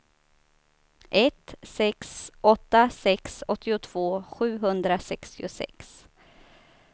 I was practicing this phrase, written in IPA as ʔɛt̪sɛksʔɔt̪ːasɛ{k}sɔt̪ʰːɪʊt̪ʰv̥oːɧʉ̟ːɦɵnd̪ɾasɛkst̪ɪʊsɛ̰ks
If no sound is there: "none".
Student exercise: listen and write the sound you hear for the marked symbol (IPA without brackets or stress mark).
k